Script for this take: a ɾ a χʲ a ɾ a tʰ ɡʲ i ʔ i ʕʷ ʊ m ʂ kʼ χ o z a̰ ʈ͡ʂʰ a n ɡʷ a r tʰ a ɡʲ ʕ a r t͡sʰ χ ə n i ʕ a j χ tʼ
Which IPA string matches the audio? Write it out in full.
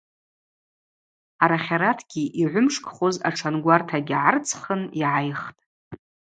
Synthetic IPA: a ɾ a χʲ a ɾ a tʰ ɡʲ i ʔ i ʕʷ ʊ m ʂ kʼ χ o z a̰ ʈ͡ʂʰ a n ɡʷ a r tʰ a ɡʲ ʕ a r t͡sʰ χ ə n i ʕ a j χ tʼ